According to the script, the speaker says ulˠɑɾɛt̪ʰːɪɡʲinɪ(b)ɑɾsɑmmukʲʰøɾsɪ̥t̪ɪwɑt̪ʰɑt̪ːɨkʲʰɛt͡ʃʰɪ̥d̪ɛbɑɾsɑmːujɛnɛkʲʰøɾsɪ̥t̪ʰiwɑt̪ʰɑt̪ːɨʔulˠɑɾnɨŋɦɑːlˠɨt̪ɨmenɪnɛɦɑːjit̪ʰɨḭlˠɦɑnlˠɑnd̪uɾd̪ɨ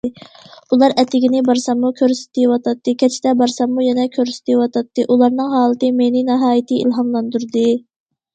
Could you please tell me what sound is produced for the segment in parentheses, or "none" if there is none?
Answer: b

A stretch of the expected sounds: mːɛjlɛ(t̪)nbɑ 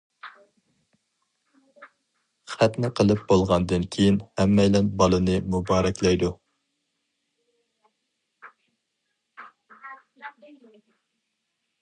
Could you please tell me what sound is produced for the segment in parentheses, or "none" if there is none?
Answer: none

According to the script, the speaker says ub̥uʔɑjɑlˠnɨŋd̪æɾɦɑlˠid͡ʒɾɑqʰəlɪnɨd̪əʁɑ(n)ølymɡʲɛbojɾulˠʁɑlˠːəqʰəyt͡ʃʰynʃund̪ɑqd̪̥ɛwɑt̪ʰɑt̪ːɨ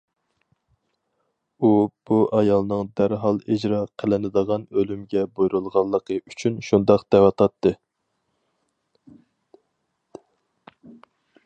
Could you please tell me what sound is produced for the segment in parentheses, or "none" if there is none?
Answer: n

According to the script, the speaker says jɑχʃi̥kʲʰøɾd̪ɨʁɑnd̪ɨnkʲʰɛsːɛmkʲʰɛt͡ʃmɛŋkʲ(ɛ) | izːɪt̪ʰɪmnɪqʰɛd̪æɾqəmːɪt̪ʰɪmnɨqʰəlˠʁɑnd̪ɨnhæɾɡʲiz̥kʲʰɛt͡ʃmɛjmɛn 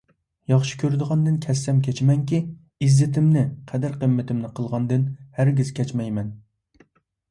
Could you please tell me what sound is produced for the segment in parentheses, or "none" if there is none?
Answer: i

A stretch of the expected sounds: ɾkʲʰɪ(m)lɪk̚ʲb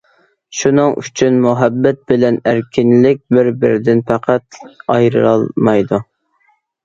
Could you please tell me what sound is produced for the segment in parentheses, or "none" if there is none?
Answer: n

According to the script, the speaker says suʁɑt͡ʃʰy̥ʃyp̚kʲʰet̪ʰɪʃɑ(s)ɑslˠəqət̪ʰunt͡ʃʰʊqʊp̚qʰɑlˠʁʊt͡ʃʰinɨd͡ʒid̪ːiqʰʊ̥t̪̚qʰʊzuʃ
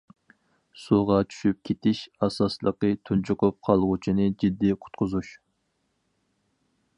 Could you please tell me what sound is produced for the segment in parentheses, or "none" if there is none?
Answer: s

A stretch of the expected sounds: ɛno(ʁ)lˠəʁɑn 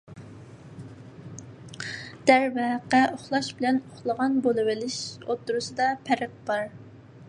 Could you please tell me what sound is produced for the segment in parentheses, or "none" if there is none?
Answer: χ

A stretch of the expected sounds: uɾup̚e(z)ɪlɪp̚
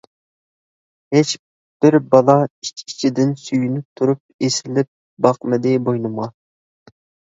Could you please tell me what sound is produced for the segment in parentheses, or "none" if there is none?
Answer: s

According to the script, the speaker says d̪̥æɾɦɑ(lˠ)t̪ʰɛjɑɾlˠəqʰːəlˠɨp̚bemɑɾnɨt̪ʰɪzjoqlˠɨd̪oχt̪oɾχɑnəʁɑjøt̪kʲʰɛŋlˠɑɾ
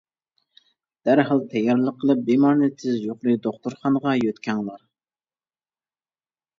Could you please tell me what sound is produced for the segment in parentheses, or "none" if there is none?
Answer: lˠ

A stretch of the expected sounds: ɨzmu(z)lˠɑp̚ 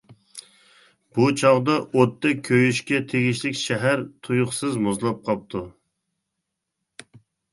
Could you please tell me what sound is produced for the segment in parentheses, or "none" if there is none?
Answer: z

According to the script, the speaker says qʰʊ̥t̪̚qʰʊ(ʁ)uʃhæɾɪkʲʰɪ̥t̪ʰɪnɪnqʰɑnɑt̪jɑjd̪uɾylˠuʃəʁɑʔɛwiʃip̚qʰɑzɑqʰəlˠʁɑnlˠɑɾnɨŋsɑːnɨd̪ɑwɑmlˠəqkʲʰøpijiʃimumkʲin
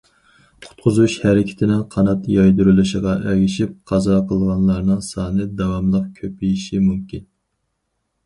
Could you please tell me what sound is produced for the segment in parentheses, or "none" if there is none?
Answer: z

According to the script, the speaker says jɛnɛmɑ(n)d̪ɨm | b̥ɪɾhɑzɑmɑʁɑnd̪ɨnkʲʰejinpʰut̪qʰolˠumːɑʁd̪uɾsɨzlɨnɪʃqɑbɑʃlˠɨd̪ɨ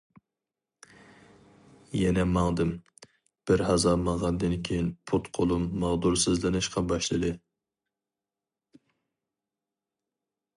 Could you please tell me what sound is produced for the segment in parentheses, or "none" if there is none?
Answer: ŋ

